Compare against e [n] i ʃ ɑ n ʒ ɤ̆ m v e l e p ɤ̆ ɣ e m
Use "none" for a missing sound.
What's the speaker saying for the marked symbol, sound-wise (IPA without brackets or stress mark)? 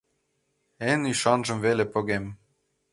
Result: n